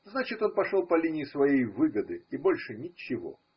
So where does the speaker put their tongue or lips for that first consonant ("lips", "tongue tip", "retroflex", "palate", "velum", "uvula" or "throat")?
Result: tongue tip